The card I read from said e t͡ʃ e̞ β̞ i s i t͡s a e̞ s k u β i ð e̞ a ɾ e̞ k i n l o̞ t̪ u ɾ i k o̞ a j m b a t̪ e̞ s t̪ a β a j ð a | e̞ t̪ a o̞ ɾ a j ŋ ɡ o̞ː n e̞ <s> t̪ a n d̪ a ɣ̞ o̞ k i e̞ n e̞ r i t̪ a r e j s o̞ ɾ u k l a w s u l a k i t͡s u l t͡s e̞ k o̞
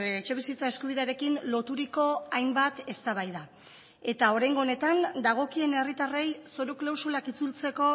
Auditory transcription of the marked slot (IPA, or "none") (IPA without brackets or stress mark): none